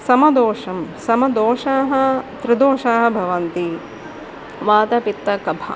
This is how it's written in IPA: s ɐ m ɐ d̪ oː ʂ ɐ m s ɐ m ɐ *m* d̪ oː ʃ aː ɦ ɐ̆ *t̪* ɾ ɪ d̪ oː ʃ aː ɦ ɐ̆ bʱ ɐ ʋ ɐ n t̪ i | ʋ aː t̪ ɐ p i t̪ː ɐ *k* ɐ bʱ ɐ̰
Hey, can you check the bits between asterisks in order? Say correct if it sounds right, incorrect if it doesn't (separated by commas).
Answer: incorrect, correct, correct